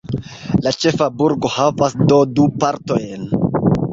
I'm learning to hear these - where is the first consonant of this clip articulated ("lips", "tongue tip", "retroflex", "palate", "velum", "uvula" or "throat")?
tongue tip